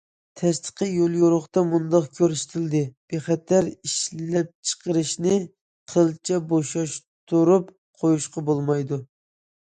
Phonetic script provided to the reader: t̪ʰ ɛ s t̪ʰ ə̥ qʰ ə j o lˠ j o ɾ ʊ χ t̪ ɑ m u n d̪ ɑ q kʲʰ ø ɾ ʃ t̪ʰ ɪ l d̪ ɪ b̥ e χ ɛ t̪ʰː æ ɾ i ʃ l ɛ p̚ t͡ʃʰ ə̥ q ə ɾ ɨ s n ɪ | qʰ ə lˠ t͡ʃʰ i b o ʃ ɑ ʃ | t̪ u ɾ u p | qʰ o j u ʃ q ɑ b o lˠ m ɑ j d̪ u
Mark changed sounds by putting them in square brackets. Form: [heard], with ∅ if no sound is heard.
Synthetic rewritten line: t̪ʰ ɛ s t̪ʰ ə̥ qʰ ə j o lˠ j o ɾ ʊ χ t̪ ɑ m u n d̪ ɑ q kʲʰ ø ɾ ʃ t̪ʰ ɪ l d̪ ɪ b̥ e χ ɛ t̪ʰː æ ɾ i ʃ l ɛ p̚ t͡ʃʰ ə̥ q ə ɾ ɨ [ʃ] n ɪ | qʰ ə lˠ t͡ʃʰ [ɛ] b o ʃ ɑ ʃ | t̪ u ɾ u p | qʰ o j u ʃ q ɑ b o lˠ m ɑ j d̪ u